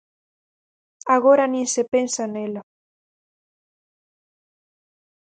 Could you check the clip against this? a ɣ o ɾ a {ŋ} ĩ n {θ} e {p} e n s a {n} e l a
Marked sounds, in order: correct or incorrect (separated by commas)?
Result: incorrect, incorrect, correct, correct